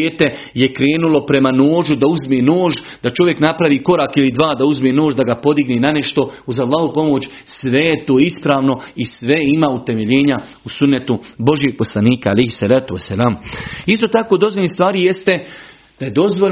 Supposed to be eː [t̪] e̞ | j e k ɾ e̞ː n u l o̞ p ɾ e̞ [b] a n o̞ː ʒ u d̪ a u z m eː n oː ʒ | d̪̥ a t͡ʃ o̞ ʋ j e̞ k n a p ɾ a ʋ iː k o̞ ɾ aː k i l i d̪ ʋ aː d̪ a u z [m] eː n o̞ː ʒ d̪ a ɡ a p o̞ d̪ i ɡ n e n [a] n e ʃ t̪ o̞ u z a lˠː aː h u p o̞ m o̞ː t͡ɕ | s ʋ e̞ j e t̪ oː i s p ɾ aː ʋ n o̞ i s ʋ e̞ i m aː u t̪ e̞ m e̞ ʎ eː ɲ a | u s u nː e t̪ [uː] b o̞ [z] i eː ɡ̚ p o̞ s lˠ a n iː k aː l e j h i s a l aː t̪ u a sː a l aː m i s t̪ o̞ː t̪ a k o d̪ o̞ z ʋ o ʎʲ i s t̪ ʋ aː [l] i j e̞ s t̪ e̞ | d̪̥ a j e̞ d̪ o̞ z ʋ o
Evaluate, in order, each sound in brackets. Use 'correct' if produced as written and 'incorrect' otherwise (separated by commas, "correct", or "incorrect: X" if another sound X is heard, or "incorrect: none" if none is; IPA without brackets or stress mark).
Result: correct, incorrect: m, correct, correct, incorrect: u, incorrect: ʒ, incorrect: ɾ